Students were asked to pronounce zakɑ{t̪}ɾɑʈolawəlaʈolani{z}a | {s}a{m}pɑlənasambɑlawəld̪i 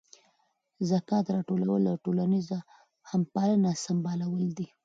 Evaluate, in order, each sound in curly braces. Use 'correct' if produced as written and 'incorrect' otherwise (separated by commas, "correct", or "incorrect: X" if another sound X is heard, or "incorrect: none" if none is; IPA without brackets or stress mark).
correct, correct, incorrect: h, correct